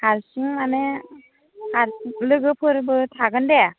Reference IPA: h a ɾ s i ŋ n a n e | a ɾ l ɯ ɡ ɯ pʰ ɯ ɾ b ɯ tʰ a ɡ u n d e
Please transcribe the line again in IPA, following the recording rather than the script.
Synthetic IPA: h a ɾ s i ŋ m a n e | a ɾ l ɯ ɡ ɯ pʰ ɯ ɾ b ɯ tʰ a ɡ ɯ n d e

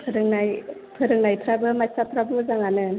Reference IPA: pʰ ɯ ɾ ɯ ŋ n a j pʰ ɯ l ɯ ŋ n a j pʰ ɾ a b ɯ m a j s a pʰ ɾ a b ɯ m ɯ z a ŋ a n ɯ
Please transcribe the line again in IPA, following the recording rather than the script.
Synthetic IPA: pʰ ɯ ɾ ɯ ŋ n a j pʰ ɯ ɾ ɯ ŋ n a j pʰ ɾ a b ɯ m a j s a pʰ ɾ a b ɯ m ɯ z a ŋ a n ɯ

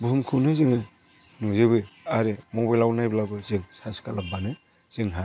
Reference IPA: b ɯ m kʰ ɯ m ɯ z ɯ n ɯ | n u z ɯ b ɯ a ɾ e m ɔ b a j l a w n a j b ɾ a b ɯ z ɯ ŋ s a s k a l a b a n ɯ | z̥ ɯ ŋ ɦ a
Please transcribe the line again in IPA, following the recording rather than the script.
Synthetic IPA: b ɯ m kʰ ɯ n ɯ z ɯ ŋ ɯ | n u z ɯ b ɯ a ɾ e m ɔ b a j l a w n a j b l a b ɯ z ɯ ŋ s a s k a l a b a n ɯ | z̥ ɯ ŋ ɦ a

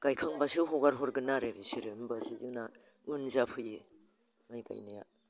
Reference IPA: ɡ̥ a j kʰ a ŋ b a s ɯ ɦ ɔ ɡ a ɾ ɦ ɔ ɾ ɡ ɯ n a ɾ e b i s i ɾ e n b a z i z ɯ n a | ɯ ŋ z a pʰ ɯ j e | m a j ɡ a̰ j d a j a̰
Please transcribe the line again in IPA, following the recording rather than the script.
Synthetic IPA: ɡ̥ a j kʰ a ŋ b a s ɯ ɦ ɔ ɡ a ɾ ɦ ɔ ɾ ɡ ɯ n a ɾ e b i s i ɾ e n b a s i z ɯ n a | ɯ n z a pʰ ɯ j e | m a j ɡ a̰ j n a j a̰

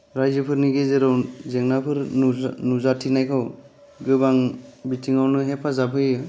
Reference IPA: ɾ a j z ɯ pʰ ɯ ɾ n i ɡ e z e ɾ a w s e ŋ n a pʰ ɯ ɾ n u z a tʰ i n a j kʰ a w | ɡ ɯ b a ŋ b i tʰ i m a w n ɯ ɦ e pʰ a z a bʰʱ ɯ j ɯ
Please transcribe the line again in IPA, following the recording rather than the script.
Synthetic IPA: ɾ a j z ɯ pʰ ɯ ɾ n i ɡ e z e ɾ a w z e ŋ n a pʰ ɯ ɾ n u z a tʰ i n a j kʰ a w | ɡ ɯ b a ŋ b i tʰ i ŋ a w n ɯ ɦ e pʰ a z a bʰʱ ɯ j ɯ

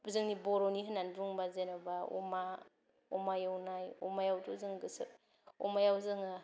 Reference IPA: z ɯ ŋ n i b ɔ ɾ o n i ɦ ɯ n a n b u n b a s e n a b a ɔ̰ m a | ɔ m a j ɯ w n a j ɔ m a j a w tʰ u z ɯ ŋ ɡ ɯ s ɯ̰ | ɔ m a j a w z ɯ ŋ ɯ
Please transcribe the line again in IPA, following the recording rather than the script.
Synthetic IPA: z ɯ ŋ n i b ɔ ɾ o n i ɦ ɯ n a n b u ŋ b a z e n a b a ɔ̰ m a | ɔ m a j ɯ w n a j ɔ m a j a w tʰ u z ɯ ŋ ɡ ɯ s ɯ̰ | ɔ m a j a w z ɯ ŋ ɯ

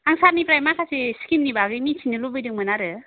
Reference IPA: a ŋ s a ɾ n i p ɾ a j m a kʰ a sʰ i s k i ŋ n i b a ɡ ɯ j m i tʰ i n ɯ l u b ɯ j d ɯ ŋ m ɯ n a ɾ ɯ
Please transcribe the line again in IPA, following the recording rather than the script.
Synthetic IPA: a ŋ s a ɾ n i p ɾ a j m a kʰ a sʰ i s k i m n i b a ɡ ɯ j m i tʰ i n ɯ l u b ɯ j d ɯ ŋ m ɯ n a ɾ ɯ

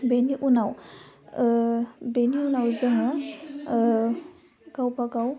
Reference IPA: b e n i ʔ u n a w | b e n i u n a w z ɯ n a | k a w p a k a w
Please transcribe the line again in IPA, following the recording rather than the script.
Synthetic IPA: b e n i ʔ u n a w | b e n i u n a w z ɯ ŋ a | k a w p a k a w

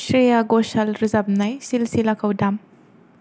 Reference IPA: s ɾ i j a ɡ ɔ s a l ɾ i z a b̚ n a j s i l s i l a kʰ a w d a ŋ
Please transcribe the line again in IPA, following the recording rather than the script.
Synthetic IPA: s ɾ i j a ɡ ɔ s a l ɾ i z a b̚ n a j s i l s i l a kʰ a w d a m

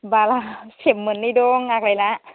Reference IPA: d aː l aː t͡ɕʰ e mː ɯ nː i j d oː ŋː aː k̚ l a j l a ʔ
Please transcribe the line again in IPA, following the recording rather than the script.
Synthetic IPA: b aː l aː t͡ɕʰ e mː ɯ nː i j d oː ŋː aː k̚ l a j l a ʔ

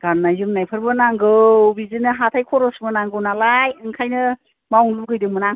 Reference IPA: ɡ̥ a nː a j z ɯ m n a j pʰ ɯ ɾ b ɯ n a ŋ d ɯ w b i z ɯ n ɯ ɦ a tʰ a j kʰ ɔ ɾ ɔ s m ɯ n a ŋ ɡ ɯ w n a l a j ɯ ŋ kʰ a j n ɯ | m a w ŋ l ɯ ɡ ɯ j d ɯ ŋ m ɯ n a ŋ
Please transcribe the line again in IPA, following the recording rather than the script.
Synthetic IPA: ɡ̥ a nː a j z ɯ m n a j pʰ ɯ ɾ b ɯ n a ŋ ɡ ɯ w b i z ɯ n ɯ ɦ a tʰ a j kʰ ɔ ɾ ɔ s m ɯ n a ŋ ɡ ɯ w n a l a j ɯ ŋ kʰ a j n ɯ | m a w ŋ l u ɡ ɯ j d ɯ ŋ m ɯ n a ŋ

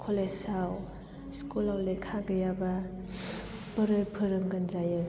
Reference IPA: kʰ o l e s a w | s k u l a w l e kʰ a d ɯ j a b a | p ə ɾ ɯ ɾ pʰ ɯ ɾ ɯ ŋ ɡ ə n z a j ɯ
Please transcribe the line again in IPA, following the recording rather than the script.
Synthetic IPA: kʰ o l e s a w | s k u l a w l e kʰ a ɡ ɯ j a b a | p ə ɾ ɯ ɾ pʰ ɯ ɾ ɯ ŋ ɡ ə n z a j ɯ

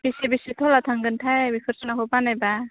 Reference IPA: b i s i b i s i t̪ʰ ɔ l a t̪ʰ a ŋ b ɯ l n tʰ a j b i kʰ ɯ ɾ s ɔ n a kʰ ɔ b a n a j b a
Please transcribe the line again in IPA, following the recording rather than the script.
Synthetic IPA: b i s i b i s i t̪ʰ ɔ l a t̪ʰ a ŋ ɡ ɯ n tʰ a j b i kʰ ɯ ɾ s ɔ n a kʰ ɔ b a n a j b a

